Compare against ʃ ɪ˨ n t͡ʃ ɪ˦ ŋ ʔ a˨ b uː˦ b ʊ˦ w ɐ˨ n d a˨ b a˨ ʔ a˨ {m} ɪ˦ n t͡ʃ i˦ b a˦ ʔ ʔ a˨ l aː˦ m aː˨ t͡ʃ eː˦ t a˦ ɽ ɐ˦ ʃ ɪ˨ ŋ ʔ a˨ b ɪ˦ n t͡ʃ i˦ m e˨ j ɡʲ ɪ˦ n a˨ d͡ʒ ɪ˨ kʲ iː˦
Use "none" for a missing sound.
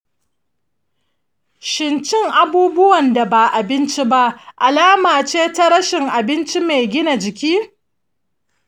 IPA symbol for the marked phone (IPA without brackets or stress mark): b